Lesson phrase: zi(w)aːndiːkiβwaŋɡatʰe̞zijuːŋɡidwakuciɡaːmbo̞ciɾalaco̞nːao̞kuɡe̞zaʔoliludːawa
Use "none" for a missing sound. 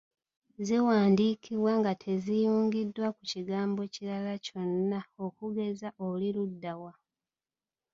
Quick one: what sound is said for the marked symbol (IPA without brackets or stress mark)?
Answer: w